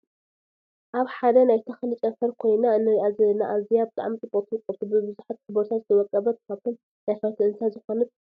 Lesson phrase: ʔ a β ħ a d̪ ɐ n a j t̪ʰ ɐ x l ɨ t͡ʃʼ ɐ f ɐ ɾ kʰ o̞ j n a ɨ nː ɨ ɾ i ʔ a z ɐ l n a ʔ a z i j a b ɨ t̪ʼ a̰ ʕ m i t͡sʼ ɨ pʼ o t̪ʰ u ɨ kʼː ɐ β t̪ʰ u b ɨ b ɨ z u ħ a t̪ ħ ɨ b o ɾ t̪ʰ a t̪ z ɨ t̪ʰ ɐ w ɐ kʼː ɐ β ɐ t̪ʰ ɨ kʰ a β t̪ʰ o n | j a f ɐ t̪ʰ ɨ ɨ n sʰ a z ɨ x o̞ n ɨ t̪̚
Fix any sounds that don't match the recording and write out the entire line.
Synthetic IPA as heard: ʔ a β ħ a d̪ ɐ n a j t̪ʰ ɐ x l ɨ t͡ʃʼ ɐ f ɐ ɾ kʰ o̞ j n a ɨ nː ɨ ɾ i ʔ a z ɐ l n a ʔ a z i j a b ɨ t̪ʼ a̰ ʕ m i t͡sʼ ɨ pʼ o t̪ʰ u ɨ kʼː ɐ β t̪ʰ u b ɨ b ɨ z u ħ a t̪ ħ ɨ b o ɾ t̪ʰ a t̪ z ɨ t̪ʰ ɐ w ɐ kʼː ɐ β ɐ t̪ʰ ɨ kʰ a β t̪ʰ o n | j a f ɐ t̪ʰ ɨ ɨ n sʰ a z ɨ x o̞ n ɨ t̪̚

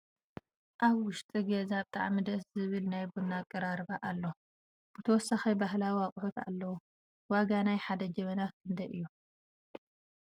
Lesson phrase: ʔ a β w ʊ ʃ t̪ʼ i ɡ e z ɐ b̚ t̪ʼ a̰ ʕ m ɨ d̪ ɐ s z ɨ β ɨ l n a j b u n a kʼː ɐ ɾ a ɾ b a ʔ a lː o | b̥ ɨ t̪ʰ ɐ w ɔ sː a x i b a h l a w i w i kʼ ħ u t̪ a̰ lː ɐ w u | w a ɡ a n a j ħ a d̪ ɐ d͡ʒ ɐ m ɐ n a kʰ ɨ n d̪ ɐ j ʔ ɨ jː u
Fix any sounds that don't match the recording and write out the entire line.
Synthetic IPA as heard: ʔ a β w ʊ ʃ t̪ʼ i ɡ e z a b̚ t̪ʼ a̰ ʕ m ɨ d̪ ɐ s z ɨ β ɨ l n a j b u n a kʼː ɐ ɾ a ɾ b a ʔ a lː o | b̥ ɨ t̪ʰ ɐ w ɔ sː a x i b a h l a w i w a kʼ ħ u t̪ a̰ lː ɐ w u | w a ɡ a n a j ħ a d̪ ɐ d͡ʒ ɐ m ɐ n a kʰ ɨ n d̪ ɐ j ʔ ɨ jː u

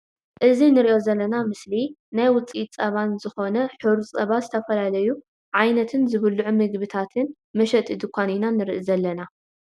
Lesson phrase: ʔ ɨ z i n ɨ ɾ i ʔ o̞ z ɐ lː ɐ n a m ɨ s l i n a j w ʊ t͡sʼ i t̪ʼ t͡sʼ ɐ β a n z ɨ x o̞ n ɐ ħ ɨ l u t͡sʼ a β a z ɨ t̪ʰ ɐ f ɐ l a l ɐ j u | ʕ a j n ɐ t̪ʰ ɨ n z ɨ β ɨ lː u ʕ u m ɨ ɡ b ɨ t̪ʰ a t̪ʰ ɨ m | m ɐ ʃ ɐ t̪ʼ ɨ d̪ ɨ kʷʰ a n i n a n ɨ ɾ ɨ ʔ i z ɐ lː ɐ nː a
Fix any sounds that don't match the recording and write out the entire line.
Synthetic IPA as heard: ʔ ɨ z i n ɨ ɾ i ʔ o̞ z ɐ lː ɐ n a m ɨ s l i n a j w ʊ t͡sʼ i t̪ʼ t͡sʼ ɐ β a n z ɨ x o̞ n ɐ ħ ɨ ɾ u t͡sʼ ɐ β a z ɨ t̪ʰ ɐ f ɐ l a l ɐ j u | ʕ a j n ɐ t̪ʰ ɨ n z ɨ β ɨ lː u ʕ u m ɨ ɡ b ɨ t̪ʰ a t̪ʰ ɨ n | m ɐ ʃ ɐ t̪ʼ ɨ d̪ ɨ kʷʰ a n i n a n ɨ ɾ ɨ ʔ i z ɐ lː ɐ n a

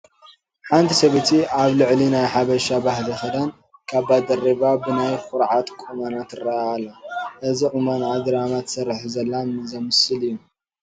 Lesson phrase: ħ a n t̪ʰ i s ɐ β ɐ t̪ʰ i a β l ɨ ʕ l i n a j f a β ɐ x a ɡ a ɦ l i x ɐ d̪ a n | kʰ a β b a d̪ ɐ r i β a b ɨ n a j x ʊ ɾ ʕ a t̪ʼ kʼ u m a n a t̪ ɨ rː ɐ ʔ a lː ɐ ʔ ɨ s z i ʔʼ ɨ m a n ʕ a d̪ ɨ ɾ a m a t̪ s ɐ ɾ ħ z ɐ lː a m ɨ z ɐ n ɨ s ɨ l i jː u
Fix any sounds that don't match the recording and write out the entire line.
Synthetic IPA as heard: ħ a n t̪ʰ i s ɐ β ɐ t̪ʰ i a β l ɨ ʕ l i n a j ħ a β ɐ ʃ a b a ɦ l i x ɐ d̪ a n | kʰ a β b a d̪ ɐ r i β a b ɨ n a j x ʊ ɾ ʕ a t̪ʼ kʼ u m a n a t̪ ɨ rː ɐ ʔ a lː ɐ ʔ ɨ z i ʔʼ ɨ m a n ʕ a d̪ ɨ ɾ a m a t̪ s ɐ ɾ ħ z ɐ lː a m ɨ z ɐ m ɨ s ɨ l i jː u

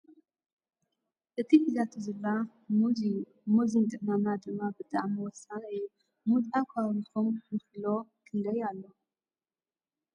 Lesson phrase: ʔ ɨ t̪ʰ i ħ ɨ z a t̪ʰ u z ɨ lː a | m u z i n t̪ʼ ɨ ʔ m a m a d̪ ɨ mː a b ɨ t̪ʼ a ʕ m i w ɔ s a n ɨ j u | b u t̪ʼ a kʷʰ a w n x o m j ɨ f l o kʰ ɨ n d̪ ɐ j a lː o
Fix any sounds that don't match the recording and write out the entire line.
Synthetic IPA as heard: ʔ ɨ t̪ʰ i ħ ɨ z a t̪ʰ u z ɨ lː a | m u z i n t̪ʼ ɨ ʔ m a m a d̪ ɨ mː a b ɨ t̪ʼ a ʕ m i w ɔ s a n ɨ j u | m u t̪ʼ a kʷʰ a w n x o m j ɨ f l o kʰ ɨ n d̪ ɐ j a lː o

